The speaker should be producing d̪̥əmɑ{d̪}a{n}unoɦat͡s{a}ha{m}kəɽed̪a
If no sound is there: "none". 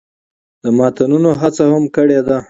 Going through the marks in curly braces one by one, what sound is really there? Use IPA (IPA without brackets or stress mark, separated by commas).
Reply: t̪, n, a, m